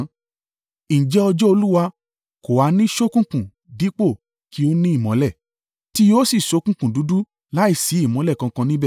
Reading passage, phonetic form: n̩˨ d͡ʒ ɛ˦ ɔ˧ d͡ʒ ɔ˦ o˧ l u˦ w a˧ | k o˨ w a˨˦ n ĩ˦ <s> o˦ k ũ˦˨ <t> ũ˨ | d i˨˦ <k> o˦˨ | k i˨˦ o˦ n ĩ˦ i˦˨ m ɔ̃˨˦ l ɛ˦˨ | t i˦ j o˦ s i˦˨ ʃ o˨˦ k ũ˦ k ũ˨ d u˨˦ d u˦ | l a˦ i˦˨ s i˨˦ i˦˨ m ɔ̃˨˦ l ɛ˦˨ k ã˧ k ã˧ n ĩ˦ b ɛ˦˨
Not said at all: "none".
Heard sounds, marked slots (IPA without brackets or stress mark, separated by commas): ʃ, k, k͡p